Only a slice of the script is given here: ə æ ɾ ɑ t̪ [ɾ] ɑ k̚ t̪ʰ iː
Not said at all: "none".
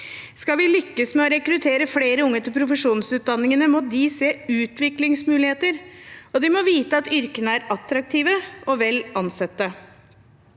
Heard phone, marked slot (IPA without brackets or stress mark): ɾ